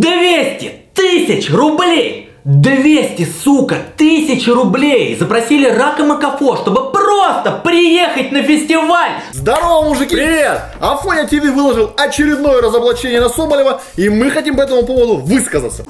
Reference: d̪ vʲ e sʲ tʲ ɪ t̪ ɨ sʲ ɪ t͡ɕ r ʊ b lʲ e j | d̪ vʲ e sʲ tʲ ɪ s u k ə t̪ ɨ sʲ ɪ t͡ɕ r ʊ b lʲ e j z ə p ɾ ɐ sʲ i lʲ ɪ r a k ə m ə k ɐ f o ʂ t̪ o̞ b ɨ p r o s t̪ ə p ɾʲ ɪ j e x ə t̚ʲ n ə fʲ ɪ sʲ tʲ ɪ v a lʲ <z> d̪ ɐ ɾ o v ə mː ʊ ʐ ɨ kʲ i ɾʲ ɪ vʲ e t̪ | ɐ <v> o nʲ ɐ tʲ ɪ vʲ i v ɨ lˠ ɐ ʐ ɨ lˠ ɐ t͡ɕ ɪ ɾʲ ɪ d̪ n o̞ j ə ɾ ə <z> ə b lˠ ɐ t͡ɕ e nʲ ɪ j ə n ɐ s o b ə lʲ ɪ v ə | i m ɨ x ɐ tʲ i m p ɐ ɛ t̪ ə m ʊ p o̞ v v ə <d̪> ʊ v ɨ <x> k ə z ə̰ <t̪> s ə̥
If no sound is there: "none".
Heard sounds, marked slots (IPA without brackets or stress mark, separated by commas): z, f, z, d̪, s, t̪